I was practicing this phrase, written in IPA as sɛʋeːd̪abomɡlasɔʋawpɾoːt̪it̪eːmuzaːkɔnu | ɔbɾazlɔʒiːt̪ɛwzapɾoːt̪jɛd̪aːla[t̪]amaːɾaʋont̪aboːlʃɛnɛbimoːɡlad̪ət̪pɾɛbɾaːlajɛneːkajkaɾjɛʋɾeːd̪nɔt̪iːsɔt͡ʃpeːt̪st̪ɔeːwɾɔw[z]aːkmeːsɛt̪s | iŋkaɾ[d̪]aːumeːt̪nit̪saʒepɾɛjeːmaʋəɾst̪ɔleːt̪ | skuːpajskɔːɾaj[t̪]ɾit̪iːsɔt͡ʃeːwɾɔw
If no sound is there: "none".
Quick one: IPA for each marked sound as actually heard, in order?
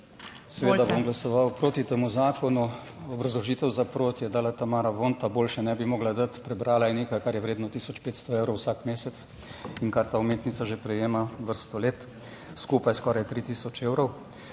t̪, s, t̪, t̪

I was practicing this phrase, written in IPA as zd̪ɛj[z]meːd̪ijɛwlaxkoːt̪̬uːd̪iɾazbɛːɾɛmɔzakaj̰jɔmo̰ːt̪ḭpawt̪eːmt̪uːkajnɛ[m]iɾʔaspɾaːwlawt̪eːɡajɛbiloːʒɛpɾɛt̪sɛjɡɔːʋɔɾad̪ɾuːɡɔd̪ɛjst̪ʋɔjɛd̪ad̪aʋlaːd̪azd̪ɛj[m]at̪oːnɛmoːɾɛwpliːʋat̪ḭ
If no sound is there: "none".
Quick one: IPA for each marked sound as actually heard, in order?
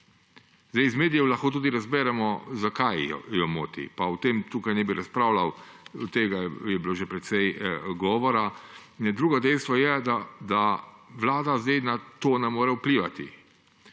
z, b, n

